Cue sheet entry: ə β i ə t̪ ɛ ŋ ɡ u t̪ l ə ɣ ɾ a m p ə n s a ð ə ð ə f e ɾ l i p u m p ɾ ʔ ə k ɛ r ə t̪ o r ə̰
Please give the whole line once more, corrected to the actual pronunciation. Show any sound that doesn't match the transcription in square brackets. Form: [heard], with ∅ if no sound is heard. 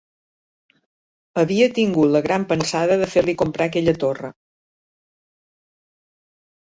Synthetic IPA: ə β i ə t̪ [i] ŋ ɡ u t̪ l ə ɣ ɾ a m p ə n s a ð ə ð ə f e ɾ l i [k] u m p ɾ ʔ [a] k ɛ [ʎ] ə t̪ o r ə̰